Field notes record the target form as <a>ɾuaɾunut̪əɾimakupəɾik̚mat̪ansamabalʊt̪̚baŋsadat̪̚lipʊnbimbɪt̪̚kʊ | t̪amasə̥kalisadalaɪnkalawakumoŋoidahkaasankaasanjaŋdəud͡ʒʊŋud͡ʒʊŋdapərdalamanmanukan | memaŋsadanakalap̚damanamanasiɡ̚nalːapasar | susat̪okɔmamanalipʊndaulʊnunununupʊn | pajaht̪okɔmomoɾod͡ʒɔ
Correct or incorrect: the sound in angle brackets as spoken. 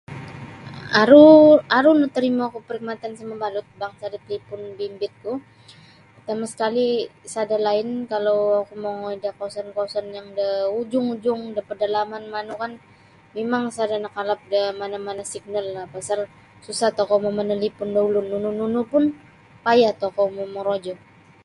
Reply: correct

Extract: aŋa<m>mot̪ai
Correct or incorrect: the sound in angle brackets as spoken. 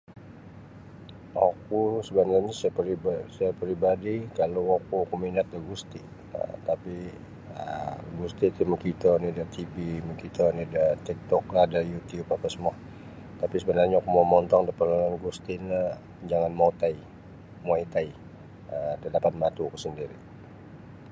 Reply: incorrect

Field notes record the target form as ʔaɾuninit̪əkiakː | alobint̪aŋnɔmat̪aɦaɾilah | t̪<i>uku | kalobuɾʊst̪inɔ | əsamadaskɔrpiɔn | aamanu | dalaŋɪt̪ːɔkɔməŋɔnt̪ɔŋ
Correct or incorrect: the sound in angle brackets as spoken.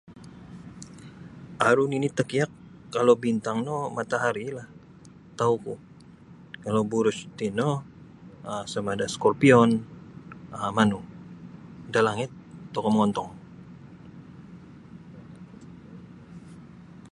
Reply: incorrect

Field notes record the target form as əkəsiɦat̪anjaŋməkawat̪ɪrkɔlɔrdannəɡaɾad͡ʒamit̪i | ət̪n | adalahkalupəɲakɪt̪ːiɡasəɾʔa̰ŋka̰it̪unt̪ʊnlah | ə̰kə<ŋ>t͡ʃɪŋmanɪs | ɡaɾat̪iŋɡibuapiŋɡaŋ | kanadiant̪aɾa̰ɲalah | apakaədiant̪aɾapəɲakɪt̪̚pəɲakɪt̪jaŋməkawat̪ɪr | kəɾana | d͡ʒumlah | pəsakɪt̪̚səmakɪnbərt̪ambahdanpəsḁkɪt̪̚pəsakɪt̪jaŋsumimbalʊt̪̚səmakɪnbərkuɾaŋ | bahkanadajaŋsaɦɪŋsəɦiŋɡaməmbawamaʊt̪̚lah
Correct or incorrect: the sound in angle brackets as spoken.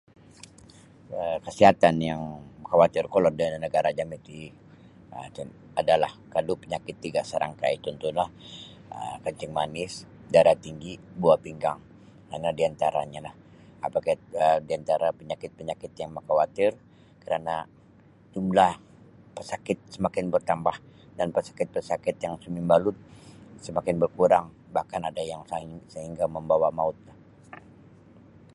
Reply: incorrect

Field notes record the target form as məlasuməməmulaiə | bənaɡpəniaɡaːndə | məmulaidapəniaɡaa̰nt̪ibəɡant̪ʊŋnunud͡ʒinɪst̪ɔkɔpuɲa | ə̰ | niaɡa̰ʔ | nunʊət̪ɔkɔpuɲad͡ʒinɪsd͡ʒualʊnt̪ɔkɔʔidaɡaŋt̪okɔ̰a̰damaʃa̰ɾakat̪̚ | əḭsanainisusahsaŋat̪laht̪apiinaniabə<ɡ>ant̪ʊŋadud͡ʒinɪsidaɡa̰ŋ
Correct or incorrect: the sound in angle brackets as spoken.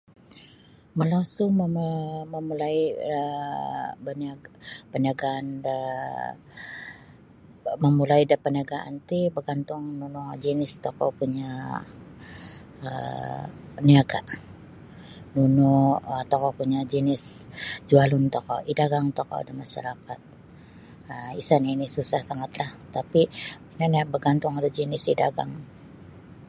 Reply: correct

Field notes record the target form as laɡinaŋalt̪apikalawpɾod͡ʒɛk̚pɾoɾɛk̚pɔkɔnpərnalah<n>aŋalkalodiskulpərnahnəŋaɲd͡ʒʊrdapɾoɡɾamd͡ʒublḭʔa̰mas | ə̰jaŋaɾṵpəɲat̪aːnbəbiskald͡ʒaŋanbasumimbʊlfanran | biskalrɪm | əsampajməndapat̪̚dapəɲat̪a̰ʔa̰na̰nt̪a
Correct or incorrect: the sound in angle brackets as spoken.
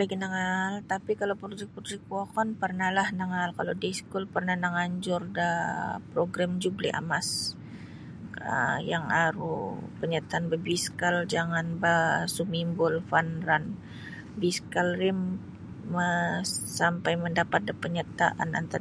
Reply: correct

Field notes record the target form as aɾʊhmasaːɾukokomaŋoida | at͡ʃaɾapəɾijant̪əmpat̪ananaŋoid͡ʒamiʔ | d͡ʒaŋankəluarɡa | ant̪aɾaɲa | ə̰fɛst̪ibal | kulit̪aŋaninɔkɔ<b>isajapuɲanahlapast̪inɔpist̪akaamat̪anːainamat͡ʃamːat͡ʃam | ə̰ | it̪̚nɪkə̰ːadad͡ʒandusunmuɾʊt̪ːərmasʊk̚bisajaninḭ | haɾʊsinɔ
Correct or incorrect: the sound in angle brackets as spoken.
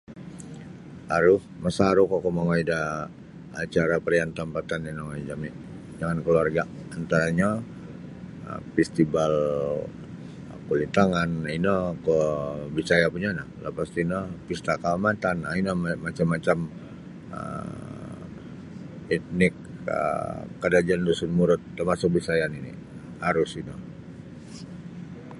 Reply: correct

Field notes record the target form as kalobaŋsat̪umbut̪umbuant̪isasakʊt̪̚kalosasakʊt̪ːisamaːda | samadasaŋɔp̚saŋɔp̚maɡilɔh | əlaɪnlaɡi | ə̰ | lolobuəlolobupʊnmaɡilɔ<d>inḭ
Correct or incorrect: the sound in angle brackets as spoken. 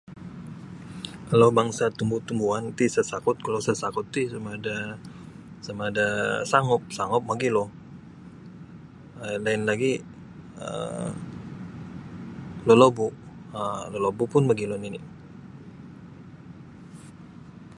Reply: incorrect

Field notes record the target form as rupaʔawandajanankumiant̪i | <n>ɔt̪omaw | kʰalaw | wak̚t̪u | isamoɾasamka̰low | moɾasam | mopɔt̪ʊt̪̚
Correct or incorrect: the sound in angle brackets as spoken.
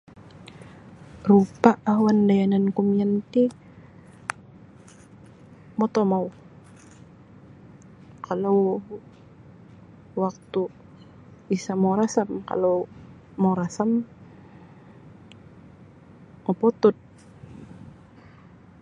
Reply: incorrect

